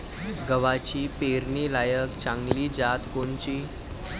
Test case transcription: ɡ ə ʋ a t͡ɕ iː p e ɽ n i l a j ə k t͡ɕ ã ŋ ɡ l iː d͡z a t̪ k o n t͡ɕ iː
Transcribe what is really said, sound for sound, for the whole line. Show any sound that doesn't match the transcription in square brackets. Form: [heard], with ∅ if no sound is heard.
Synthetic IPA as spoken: ɡ ə ʋ a t͡ɕ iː p e [ɾ] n i l a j ə k t͡ɕ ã ŋ ɡ l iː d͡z a t̪ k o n t͡ɕ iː